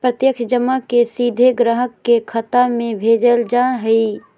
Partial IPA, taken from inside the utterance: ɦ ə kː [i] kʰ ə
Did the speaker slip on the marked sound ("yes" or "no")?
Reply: yes